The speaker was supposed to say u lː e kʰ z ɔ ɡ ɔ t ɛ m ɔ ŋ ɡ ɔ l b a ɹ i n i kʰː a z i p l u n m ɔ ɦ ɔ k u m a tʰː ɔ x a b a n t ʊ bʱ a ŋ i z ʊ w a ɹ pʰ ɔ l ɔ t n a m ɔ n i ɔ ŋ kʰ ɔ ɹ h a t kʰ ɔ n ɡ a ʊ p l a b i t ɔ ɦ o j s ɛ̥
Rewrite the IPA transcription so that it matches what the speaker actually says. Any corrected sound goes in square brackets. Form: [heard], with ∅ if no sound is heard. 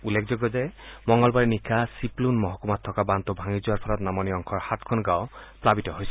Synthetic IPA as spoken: u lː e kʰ z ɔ ɡ ɔ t ɛ m ɔ ŋ ɡ ɔ l b a ɹ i n i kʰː a [s] i p l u n m ɔ ɦ ɔ k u m a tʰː ɔ [k] a b a n t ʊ bʱ a ŋ i z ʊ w a ɹ pʰ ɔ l ɔ t n a m ɔ n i ɔ ŋ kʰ ɔ ɹ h a t kʰ ɔ n ɡ a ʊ p l a b i t ɔ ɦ o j s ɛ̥